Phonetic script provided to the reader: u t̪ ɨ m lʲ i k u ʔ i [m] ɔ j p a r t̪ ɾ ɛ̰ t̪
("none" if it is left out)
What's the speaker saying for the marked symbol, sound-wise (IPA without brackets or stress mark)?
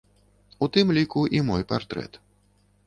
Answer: m